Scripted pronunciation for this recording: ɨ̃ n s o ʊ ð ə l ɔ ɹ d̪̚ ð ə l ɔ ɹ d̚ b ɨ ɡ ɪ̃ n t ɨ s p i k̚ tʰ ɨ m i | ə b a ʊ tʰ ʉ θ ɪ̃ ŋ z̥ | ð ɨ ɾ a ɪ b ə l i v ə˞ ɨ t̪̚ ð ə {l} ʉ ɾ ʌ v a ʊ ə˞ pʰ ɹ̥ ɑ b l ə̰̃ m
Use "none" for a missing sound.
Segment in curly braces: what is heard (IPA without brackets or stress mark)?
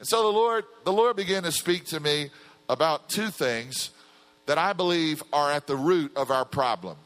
ɹ